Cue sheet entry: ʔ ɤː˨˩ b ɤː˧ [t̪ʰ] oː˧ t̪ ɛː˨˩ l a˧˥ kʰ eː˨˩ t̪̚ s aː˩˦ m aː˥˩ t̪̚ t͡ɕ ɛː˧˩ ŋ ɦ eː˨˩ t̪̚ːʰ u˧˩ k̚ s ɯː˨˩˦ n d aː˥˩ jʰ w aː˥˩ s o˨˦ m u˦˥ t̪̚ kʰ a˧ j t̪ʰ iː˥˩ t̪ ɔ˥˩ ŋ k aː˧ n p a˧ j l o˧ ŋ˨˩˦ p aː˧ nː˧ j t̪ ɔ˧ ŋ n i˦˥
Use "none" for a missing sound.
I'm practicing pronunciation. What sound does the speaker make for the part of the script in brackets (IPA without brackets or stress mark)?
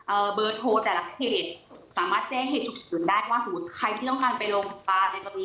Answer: t̪ʰ